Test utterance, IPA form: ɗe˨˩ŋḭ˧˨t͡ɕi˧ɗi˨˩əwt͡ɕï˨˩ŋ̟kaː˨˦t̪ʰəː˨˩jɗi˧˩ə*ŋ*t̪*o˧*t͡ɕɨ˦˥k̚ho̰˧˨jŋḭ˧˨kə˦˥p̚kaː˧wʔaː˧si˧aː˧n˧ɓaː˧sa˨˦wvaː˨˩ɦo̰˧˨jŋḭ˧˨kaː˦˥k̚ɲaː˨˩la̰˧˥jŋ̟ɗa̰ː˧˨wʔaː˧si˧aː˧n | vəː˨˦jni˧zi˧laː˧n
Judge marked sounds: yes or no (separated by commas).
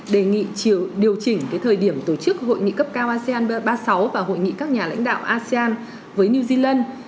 no, no